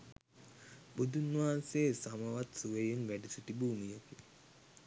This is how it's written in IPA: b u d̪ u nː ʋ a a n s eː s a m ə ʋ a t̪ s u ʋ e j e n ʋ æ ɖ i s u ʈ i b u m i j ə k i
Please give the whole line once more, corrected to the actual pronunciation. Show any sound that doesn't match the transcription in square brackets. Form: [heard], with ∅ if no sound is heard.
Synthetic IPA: b u d̪ u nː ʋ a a n s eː s a m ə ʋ a t̪ s u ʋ e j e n ʋ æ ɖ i s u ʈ i b [uː] m i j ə k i

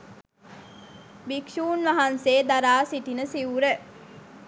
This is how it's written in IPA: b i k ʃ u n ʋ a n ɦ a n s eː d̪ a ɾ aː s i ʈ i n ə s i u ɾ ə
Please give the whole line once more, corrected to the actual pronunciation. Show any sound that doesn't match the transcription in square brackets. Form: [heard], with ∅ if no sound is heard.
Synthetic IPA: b i k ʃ [uː] n ʋ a [∅] ɦ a n s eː d̪ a ɾ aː s i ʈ i n ə s i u ɾ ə

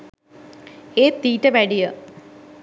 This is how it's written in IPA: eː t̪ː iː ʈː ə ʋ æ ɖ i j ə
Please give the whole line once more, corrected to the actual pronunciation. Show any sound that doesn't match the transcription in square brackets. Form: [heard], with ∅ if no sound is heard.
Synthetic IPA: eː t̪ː iː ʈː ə ʋ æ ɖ i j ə

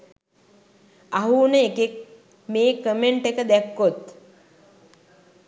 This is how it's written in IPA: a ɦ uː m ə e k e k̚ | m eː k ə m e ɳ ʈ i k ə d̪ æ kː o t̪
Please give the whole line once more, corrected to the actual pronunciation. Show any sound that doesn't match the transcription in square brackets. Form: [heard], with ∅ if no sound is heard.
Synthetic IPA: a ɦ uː [n] ə e k e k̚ | m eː k ə m e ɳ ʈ [e] k ə d̪ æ kː o t̪

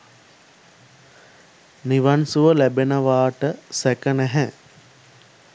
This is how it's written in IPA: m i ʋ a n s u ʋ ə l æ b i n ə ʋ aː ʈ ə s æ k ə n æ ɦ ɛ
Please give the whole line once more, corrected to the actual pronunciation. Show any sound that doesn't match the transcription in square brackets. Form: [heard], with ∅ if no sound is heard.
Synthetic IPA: [n] i ʋ a n s u ʋ ə l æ b [e] n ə ʋ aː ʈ ə s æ k ə n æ ɦ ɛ

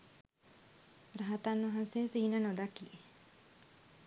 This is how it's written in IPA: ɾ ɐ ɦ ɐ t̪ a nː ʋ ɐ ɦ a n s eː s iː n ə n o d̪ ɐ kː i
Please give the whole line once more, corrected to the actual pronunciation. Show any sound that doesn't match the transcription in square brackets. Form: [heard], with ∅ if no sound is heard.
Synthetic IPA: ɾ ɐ ɦ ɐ t̪ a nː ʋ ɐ ɦ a n s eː s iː n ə n o d̪ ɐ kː i

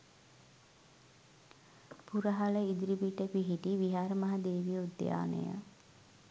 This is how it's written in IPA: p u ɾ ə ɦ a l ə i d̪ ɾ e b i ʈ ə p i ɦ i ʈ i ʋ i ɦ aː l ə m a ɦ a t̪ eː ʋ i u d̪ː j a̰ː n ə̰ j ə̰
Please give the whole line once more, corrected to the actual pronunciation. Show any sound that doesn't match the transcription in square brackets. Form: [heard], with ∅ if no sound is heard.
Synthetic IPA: p u ɾ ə ɦ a l ə i d̪ ɾ [i] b i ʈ ə p i ɦ i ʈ i ʋ i ɦ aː [ɾ] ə m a ɦ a [d̪] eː ʋ i u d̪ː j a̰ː n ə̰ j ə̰

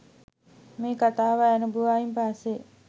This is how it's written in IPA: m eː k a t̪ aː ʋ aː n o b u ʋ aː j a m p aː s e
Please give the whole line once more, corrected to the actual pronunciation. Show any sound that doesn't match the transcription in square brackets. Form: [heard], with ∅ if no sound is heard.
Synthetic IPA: m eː k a t̪ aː ʋ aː n [u] b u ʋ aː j [i] m p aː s e

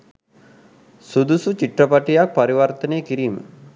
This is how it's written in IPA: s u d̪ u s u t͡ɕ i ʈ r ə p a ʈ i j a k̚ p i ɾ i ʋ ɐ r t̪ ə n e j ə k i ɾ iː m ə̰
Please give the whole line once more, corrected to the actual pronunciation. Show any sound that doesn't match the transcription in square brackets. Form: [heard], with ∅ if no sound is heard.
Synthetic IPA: s u d̪ u s u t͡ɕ i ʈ r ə p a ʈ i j a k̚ p [a] ɾ i ʋ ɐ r t̪ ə n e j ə k i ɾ iː m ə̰

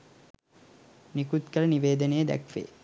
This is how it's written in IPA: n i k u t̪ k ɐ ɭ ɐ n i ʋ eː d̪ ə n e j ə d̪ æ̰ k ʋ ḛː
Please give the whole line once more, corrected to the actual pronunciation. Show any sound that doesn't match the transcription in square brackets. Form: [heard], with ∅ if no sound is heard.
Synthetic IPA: n i k u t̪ k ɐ [l] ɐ n i ʋ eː d̪ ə n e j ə d̪ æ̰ k ʋ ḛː

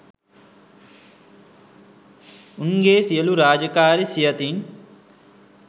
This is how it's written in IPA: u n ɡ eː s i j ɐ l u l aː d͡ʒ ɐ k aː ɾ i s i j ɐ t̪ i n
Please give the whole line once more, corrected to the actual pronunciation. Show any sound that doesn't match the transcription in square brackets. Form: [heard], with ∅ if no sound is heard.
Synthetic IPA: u [ŋ] ɡ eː s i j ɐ l u [ɾ] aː d͡ʒ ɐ k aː ɾ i s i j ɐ t̪ i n

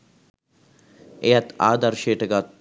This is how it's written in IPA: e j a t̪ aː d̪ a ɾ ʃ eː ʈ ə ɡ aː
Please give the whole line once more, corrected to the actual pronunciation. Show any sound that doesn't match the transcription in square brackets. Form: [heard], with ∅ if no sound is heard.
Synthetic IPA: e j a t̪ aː d̪ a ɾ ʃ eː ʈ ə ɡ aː

